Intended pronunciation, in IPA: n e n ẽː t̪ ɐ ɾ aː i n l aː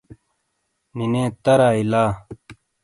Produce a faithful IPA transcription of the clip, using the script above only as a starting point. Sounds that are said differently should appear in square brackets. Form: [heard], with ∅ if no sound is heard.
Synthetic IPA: n [i] n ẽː t̪ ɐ ɾ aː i [∅] l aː